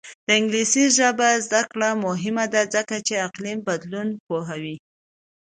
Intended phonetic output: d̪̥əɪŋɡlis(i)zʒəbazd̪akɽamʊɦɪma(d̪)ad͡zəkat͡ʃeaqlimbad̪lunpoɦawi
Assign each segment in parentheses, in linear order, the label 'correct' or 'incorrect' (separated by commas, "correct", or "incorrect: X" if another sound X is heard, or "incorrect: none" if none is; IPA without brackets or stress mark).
correct, correct